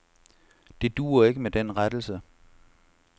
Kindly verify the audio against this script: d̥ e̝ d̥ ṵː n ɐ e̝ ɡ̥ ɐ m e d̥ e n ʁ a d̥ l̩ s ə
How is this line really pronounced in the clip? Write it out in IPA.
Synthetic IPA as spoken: d̥ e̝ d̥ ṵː ɐ e̝ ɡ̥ ə m e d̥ e n ʁ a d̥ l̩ s ə